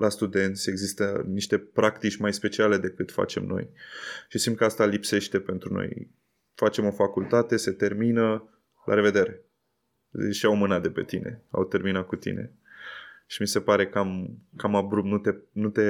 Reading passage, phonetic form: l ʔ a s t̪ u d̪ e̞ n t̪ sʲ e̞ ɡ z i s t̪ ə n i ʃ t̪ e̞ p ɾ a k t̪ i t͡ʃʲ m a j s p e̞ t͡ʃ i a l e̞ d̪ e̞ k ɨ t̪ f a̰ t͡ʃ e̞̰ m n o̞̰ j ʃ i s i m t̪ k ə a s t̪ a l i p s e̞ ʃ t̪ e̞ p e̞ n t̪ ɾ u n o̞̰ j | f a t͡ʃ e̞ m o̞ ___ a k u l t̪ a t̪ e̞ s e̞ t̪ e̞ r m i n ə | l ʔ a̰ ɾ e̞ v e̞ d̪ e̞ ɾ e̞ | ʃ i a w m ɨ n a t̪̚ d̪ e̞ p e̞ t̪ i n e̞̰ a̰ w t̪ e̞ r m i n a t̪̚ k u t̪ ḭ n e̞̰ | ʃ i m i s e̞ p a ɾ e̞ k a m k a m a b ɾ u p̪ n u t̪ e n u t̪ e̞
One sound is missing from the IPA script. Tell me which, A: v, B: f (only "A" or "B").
B